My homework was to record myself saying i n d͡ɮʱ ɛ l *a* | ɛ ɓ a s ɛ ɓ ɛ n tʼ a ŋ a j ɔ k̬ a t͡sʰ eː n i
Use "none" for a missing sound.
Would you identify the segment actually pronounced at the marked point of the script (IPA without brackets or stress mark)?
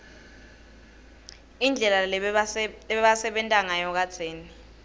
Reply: a